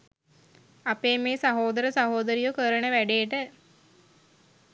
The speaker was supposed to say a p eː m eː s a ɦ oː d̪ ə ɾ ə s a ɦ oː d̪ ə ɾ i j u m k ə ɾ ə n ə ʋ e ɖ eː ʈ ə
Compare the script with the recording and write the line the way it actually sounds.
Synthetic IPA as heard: a p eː m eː s a ɦ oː d̪ ə ɾ ə s a ɦ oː d̪ ə ɾ i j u k ə ɾ ə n ə ʋ æ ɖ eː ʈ ə